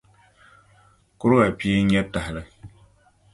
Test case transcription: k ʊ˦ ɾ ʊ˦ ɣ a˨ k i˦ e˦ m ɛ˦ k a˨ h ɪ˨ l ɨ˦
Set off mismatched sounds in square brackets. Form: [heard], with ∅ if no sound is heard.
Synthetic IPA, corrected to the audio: k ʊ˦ ɾ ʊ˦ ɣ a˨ [p] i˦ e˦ [ɲ] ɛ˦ [t] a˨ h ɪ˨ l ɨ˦